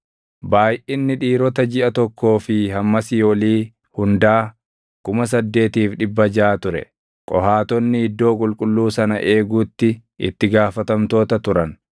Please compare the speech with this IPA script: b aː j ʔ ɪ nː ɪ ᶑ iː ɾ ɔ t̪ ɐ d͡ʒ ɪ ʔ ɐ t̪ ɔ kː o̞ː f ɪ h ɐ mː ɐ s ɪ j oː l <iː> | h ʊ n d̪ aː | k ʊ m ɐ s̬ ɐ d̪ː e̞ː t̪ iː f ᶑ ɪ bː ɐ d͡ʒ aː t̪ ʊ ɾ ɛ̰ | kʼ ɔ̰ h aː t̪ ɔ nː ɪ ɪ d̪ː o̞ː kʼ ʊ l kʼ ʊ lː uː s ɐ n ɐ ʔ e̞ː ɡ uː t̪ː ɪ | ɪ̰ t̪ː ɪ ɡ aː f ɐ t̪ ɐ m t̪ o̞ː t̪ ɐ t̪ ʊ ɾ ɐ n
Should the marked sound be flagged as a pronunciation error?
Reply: no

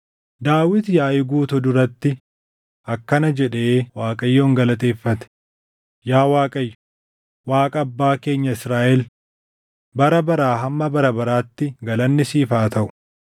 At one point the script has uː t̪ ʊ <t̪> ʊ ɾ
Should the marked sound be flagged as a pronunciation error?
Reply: yes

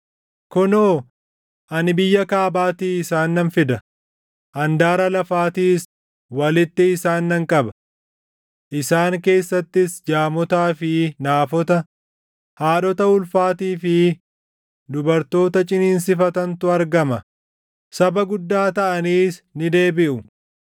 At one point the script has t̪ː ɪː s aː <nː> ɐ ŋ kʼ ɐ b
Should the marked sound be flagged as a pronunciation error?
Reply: no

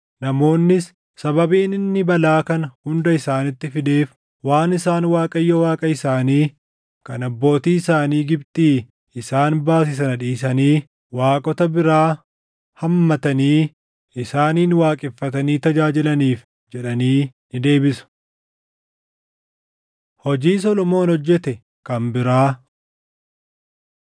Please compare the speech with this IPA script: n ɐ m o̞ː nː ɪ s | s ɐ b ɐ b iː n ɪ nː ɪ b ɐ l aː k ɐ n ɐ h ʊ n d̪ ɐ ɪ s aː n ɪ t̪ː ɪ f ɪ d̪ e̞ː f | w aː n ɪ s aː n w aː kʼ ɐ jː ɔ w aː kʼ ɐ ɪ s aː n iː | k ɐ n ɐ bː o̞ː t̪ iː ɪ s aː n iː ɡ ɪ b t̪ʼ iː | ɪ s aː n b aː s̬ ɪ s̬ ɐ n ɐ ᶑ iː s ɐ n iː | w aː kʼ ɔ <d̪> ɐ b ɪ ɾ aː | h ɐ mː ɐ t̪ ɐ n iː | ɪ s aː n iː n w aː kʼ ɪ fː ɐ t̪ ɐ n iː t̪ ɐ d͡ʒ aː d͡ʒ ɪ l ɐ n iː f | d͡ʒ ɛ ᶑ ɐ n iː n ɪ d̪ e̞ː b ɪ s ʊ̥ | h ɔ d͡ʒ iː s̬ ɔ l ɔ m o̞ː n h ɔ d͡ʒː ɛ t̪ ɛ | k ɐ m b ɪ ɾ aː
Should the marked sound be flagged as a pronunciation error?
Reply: yes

